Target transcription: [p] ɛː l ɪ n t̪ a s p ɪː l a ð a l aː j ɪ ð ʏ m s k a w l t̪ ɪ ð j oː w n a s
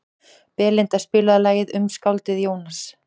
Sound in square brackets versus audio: correct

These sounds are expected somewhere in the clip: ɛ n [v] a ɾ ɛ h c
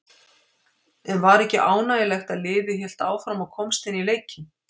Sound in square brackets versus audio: correct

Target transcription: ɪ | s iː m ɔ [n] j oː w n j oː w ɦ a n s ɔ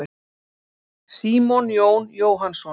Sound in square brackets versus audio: correct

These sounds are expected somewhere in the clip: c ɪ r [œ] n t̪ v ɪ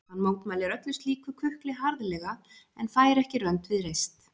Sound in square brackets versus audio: correct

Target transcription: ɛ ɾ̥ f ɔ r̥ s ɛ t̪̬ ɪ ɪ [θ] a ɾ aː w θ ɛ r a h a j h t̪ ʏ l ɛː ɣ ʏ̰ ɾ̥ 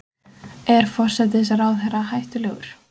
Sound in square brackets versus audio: incorrect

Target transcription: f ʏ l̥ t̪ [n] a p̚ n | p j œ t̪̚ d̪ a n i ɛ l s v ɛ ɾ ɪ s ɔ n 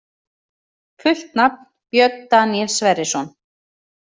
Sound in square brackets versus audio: correct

